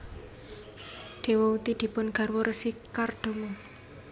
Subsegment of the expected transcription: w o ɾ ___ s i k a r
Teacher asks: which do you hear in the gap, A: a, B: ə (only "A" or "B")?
B